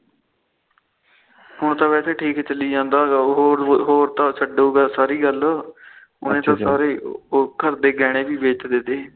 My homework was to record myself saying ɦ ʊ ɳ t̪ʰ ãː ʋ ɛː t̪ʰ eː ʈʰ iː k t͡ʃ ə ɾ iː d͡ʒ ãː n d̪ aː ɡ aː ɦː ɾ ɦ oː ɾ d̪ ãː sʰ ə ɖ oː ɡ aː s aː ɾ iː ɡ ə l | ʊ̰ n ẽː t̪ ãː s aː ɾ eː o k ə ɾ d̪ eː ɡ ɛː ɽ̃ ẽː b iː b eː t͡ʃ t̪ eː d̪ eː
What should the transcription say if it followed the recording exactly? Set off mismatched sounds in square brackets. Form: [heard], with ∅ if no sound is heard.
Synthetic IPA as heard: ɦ ʊ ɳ [t̪] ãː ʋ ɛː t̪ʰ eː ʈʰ iː k t͡ʃ ə [l] iː d͡ʒ ãː n d̪ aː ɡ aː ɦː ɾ ɦ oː ɾ [t̪] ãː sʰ ə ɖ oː ɡ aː s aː ɾ iː ɡ ə l | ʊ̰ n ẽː t̪ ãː s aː ɾ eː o k ə ɾ d̪ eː ɡ ɛː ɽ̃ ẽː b iː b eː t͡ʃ [d̪] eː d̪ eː